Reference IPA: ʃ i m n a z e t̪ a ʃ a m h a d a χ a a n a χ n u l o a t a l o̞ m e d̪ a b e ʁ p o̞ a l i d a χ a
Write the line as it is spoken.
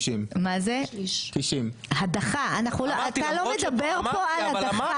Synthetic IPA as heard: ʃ i m m a z e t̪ i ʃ i m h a d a χ a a n a χ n u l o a t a l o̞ m e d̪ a b e ʁ p o̞ a l a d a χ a